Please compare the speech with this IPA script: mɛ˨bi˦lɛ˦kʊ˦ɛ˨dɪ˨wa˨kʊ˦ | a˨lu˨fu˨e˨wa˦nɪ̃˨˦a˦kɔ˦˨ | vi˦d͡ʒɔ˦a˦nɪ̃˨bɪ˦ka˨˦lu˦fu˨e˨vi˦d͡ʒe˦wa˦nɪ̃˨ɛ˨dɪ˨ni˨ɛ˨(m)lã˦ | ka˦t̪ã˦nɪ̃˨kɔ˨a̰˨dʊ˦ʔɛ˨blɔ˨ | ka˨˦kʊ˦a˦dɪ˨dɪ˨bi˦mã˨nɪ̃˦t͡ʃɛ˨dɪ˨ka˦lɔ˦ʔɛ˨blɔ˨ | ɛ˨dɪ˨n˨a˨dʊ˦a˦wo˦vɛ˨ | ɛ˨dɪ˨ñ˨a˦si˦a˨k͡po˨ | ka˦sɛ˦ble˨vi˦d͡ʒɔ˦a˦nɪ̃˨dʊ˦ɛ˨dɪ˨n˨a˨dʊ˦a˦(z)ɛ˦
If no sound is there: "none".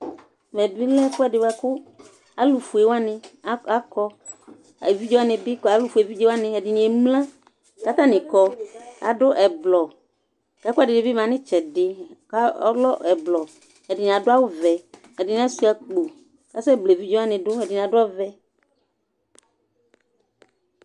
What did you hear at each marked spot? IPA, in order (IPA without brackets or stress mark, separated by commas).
m, v